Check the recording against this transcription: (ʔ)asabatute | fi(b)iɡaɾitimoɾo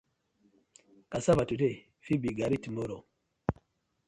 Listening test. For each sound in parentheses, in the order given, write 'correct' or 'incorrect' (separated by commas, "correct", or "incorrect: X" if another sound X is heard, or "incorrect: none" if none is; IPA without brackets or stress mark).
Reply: incorrect: k, correct